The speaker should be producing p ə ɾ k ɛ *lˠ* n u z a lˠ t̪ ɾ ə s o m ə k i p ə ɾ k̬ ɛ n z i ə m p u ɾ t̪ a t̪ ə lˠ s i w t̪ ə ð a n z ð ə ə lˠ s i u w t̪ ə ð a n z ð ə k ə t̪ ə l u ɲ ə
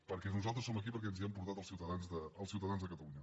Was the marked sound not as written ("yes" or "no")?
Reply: yes